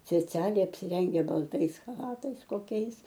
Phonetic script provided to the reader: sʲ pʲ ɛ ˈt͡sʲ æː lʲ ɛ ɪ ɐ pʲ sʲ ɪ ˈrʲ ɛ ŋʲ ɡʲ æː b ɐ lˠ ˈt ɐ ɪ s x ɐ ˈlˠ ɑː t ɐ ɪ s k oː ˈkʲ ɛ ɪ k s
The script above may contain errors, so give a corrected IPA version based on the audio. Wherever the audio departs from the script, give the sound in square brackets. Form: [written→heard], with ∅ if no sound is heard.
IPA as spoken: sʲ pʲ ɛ ˈt͡sʲ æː lʲ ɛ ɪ ɐ pʲ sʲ ɪ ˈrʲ ɛ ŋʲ ɡʲ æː b ɐ lˠ ˈt ɐ ɪ s x ɐ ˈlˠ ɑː t ɐ ɪ s k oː ˈkʲ ɛ ɪ [k→∅] s

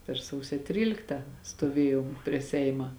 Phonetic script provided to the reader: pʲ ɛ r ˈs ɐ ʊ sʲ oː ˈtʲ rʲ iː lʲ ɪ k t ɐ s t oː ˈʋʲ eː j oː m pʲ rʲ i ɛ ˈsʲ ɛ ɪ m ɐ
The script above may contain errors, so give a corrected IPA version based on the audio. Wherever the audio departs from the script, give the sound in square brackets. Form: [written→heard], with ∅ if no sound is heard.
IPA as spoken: pʲ ɛ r ˈs ɐ ʊ sʲ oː ˈtʲ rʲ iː lʲ ɪ k t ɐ s t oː ˈʋʲ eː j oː m pʲ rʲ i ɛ ˈsʲ ɛ ɪ m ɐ

